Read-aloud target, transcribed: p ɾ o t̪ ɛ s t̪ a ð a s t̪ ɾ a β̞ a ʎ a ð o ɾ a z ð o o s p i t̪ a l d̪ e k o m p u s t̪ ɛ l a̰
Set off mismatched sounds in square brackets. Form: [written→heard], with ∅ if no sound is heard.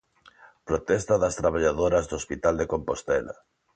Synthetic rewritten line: p ɾ o t̪ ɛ s t̪ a ð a s t̪ ɾ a β̞ a ʎ a ð o ɾ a z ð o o s p i t̪ a l d̪ e k o m p [u→o] s t̪ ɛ l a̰